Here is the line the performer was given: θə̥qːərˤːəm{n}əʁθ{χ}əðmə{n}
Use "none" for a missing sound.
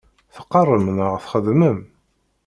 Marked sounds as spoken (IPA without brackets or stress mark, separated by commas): n, χ, m